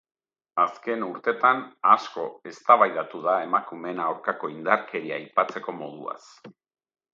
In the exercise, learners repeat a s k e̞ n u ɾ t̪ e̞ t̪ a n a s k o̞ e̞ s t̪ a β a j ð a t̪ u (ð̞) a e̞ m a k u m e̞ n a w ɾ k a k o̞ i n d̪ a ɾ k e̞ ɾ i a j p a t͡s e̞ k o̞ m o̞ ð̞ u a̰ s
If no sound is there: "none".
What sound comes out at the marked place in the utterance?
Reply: ð̞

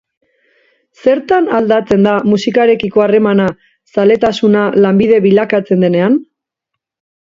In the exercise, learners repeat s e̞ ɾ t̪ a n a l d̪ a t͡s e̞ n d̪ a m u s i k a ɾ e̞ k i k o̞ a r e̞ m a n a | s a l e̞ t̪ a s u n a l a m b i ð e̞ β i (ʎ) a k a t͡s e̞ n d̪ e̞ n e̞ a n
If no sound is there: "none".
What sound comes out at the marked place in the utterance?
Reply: l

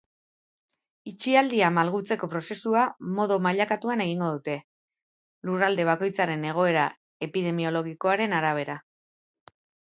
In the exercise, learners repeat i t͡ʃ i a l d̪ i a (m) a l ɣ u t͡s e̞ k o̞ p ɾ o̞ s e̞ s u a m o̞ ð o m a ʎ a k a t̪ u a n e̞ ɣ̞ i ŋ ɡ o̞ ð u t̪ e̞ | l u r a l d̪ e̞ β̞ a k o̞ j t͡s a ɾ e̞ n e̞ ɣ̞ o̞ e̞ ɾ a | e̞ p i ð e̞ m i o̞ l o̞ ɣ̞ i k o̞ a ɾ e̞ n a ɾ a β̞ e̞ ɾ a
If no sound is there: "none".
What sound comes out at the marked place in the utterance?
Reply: m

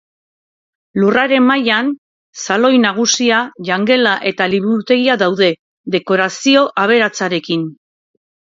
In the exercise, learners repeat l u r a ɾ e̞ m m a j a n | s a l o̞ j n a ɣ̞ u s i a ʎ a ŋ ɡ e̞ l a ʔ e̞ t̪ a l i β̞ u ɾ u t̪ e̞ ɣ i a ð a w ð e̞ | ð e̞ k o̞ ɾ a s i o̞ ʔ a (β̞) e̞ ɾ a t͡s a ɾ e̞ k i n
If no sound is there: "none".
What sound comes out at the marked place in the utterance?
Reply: β̞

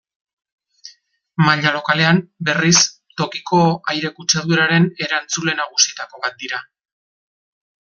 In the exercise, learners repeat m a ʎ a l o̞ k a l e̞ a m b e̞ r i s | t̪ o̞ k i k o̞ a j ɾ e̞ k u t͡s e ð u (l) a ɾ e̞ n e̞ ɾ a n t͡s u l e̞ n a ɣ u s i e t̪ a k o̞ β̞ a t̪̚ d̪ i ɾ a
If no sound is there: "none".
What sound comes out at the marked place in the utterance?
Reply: ɾ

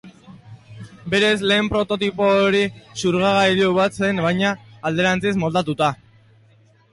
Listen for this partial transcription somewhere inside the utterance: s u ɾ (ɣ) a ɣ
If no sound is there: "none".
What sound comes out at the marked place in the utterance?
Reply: ɣ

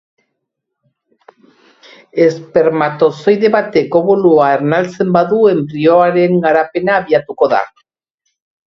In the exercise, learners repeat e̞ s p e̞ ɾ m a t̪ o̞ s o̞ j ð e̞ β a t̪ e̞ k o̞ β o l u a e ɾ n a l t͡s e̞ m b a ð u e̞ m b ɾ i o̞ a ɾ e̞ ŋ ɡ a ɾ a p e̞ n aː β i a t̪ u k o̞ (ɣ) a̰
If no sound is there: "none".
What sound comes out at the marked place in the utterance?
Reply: ð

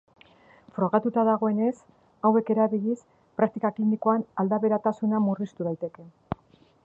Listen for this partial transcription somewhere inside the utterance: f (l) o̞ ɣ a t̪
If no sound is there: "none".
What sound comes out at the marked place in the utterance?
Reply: ɾ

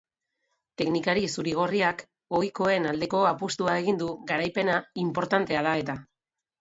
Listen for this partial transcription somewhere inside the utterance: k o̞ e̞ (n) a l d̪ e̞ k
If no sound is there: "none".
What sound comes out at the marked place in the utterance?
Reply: n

